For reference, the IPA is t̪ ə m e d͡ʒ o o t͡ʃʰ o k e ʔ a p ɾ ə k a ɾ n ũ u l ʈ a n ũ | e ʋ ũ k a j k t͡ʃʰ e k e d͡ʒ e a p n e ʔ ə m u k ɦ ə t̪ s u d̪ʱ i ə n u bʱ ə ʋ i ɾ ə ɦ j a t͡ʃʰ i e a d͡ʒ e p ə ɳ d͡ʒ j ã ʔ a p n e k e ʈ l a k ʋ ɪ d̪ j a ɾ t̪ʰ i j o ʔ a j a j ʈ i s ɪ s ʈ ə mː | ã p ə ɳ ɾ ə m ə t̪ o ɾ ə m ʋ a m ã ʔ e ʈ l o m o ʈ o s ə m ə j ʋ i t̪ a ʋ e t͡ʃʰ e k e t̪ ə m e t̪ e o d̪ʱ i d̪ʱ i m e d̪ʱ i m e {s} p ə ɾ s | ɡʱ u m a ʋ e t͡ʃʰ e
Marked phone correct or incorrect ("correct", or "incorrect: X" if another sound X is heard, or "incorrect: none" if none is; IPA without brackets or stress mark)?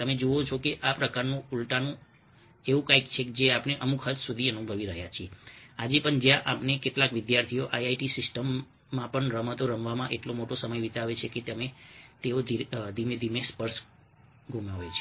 correct